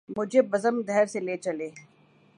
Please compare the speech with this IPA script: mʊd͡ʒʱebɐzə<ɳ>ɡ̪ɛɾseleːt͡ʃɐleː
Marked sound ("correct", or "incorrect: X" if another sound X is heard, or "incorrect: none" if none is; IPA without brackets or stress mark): incorrect: m